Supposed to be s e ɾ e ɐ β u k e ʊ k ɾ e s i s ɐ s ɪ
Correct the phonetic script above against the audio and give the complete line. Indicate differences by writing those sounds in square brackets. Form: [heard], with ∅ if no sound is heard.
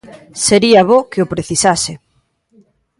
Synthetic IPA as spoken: s e ɾ [i] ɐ β [o] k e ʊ [p] ɾ e [θ] i s [a] s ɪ

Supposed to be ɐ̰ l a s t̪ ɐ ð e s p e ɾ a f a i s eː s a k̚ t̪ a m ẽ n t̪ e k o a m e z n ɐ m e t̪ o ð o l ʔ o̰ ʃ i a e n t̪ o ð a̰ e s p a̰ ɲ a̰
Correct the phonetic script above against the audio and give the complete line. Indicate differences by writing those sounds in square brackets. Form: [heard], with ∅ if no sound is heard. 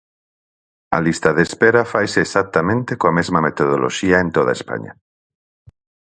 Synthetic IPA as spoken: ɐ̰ l [i] s t̪ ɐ ð e s p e ɾ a f a [j] s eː s a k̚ t̪ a m ẽ n t̪ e k o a m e z [m] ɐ m e t̪ o ð o l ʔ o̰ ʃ i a e n t̪ o ð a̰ e s p a̰ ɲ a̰

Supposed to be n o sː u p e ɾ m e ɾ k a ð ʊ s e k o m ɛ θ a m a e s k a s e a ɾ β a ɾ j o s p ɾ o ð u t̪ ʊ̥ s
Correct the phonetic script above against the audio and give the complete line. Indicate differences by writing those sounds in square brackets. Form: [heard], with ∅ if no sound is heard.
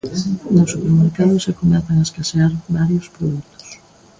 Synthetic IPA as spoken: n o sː u p e ɾ m e ɾ k a ð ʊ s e k o m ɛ θ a [ŋ] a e s k a s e a ɾ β a ɾ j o s p ɾ o ð u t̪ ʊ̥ s

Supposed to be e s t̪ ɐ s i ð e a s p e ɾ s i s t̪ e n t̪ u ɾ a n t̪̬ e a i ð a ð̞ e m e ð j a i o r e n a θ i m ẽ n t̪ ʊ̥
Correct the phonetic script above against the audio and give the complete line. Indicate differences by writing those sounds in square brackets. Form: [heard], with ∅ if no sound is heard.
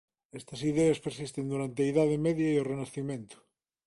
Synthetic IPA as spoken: e s t̪ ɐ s i ð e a s p e ɾ s i s t̪ e n [d̪] u ɾ a n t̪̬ e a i ð a ð̞ e m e ð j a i o r e n a θ i m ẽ n t̪ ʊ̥

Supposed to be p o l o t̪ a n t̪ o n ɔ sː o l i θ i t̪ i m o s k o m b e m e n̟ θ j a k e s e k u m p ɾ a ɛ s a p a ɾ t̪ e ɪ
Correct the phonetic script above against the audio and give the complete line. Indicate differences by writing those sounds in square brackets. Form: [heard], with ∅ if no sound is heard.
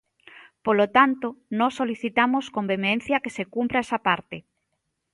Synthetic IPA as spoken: p o l o t̪ a n t̪ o n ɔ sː o l i θ i t̪ [a] m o s k o m b e m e n̟ θ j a k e s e k u m p ɾ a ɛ s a p a ɾ t̪ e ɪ

